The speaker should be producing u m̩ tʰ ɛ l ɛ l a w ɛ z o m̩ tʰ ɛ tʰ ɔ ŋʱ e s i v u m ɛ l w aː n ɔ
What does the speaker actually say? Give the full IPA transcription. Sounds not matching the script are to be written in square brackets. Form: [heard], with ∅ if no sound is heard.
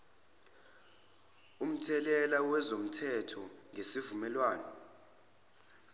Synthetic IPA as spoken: u m̩ tʰ ɛ l ɛ l a w ɛ z o m̩ tʰ ɛ tʰ ɔ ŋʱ e s i v u m ɛ l w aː n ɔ